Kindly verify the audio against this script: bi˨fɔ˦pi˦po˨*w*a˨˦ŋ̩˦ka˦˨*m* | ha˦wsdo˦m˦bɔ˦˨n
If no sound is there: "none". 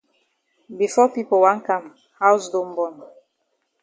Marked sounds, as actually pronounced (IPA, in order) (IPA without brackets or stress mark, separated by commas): w, m